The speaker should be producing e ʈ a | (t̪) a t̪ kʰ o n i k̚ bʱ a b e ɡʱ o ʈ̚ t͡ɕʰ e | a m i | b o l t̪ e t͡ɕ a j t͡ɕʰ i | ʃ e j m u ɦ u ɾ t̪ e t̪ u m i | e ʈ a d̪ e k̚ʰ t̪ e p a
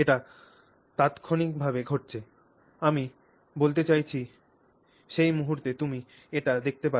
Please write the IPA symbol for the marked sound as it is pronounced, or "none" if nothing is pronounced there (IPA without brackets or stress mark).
t̪